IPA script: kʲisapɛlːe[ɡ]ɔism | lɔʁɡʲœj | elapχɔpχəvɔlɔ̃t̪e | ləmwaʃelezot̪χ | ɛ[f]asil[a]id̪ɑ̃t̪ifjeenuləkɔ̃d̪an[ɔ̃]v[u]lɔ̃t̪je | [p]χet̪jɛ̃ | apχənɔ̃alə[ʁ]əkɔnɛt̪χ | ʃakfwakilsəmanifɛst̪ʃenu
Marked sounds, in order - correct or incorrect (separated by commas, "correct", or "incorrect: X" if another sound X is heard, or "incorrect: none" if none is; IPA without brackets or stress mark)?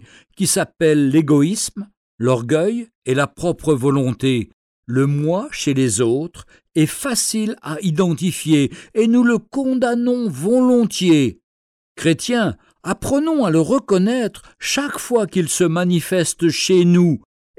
correct, correct, correct, correct, incorrect: ɔ, incorrect: k, correct